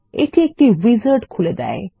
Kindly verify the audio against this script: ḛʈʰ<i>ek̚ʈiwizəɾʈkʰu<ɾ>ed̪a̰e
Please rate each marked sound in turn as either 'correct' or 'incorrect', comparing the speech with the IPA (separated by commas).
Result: correct, incorrect